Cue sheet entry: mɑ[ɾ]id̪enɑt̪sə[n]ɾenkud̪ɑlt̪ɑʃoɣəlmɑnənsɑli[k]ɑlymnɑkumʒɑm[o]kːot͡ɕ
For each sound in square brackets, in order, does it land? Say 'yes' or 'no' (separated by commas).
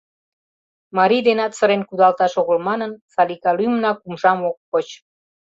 yes, no, yes, yes